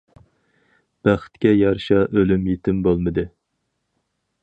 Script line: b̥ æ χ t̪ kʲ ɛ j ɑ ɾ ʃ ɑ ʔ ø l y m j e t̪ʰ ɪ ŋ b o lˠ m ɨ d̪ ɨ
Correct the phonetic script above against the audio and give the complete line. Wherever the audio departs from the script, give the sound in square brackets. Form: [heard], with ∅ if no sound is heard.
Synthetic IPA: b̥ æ χ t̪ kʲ ɛ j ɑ ɾ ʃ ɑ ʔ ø l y m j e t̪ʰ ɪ [m] b o lˠ m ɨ d̪ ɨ